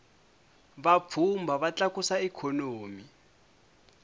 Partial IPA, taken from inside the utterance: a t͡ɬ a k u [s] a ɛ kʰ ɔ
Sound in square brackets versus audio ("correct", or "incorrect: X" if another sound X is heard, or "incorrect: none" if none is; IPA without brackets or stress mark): correct